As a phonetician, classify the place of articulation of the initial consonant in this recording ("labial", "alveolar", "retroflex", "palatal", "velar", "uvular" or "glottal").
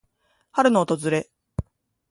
glottal